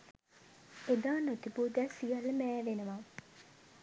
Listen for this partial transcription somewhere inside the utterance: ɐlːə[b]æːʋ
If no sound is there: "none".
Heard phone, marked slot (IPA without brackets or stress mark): m